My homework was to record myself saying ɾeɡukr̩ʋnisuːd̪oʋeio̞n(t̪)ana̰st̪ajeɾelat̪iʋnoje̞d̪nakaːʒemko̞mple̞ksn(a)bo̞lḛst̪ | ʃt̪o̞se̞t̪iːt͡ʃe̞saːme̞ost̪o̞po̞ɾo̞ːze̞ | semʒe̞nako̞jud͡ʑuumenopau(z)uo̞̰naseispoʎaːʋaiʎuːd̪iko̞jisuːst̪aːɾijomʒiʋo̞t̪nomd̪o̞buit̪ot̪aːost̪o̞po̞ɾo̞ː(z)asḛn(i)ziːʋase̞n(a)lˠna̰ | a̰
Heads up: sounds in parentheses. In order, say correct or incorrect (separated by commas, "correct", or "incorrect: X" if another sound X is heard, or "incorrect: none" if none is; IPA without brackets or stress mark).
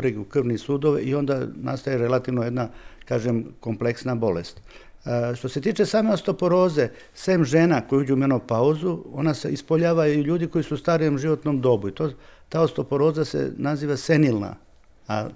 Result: incorrect: d̪, correct, correct, correct, incorrect: a, incorrect: i